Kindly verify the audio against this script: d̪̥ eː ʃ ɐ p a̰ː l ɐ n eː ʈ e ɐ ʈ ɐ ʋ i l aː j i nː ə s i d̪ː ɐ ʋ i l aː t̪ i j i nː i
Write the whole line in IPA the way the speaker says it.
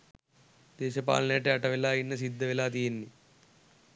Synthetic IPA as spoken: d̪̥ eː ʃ ɐ p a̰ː l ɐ n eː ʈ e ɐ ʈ ɐ ʋ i l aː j i nː ɐ s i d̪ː ɐ ʋ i l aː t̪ i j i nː i